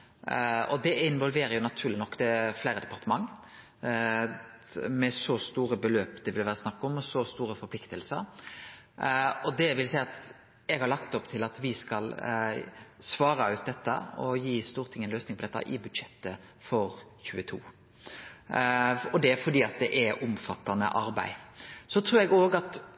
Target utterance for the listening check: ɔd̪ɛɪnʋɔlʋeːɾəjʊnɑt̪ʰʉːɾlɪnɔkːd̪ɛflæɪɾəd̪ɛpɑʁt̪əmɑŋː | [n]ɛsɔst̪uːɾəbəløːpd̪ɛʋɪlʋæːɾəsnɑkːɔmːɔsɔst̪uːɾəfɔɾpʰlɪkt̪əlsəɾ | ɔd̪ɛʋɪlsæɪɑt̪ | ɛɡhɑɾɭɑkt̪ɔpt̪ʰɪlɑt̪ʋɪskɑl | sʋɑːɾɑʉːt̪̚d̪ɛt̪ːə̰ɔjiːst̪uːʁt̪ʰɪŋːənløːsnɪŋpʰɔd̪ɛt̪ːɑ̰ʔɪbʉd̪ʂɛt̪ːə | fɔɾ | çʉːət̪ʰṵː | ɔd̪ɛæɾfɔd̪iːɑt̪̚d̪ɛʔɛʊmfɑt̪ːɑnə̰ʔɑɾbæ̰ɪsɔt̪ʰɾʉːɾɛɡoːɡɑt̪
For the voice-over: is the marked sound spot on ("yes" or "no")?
no